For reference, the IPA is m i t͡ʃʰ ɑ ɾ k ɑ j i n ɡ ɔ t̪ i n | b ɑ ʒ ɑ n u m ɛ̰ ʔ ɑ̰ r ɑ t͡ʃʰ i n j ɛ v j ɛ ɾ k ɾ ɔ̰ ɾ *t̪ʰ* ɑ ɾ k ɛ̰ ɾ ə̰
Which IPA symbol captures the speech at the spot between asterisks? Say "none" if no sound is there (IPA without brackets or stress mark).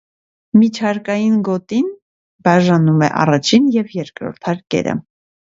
t̪ʰ